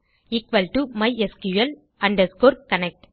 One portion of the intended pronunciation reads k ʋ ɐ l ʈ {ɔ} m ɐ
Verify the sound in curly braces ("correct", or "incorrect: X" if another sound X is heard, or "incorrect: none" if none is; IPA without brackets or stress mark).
incorrect: u